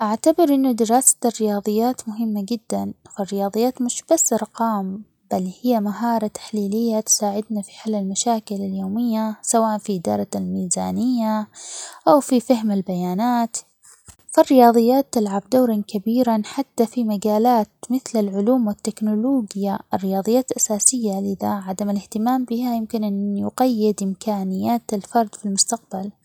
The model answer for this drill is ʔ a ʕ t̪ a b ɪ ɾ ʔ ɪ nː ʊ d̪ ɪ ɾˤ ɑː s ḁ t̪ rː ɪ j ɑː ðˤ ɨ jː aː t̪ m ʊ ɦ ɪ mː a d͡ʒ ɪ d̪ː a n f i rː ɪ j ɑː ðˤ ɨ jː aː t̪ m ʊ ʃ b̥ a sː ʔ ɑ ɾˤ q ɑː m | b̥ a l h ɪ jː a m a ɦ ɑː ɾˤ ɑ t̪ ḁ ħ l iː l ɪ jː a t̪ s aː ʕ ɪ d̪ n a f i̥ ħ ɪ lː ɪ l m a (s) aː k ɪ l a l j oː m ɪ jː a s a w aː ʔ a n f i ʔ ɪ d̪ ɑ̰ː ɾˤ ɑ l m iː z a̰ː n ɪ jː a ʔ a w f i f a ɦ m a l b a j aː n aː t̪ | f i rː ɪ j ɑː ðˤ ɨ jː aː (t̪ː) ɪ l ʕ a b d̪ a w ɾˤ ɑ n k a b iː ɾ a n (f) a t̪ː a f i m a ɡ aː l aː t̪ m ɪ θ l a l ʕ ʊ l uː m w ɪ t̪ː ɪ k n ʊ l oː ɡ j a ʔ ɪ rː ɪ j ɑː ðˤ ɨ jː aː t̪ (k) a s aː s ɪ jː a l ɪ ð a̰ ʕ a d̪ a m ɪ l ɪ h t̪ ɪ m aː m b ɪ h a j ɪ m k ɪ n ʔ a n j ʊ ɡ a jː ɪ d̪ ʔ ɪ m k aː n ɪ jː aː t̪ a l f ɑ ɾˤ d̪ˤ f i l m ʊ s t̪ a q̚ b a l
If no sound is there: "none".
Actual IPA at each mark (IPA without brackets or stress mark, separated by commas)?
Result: ʃ, t̪ː, ħ, ʔ